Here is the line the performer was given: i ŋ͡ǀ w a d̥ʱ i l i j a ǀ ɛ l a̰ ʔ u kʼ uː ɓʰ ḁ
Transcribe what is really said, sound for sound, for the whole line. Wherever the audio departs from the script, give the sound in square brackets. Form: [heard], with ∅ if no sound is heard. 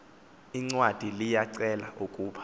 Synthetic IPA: i ŋ͡ǀ w a d̥ʱ i l i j a ǀ ɛ l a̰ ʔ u kʼ uː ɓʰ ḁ